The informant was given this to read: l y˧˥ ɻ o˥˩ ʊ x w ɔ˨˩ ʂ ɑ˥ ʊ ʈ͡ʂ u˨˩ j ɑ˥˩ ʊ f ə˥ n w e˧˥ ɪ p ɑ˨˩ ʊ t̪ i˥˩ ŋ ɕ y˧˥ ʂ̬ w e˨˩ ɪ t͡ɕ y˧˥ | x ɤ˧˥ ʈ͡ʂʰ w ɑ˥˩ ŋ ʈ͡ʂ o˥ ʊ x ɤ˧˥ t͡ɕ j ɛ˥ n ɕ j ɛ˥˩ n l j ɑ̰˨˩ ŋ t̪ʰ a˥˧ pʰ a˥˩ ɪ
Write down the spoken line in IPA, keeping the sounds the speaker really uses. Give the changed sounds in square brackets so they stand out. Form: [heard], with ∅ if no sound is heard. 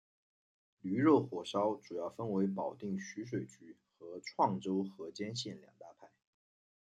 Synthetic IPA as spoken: l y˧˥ ɻ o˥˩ ʊ x w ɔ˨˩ ʂ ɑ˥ ʊ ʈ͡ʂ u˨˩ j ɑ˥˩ ʊ f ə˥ n w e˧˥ ɪ p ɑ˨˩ ʊ t̪ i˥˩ ŋ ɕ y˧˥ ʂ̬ w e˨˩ ɪ t͡ɕ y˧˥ | x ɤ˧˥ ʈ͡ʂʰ w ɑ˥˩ ŋ ʈ͡ʂ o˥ ʊ x ɤ˧˥ t͡ɕ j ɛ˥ n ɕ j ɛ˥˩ n l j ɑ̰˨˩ ŋ [t̪] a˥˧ pʰ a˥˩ ɪ